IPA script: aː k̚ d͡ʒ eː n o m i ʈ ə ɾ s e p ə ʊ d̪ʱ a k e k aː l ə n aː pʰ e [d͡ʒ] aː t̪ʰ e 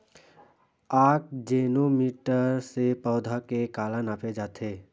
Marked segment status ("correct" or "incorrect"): correct